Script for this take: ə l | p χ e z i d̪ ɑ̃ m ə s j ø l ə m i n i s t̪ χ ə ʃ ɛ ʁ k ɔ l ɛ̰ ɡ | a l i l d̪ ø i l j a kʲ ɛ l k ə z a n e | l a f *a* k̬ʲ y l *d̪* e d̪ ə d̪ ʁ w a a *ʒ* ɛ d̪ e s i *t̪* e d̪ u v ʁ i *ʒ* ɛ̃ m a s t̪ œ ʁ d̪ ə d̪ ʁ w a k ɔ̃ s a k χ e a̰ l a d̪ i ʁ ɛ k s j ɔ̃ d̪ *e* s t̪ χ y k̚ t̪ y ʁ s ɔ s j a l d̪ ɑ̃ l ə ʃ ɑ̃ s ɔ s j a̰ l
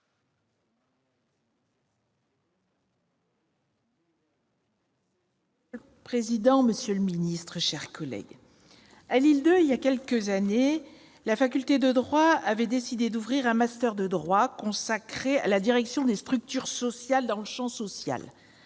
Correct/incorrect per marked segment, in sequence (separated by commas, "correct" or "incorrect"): correct, incorrect, incorrect, incorrect, incorrect, correct